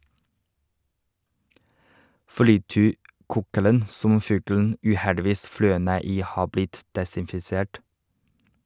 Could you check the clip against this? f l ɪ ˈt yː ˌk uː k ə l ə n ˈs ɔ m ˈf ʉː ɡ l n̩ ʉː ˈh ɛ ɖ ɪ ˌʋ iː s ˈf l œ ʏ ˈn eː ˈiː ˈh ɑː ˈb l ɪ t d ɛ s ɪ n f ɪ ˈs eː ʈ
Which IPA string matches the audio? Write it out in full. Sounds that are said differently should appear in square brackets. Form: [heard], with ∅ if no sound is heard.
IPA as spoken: f l ɪ ˈt yː ˌk uː k ə l ə n ˈs ɔ m ˈf ʉː ɡ l n̩ ʉː ˈh ɛ ɖ ɪ ˌʋ iː s ˈf l œ ʏ ˈn eː ˈiː ˈh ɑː ˈb l ɪ t d ɛ s ɪ n f ɪ ˈs eː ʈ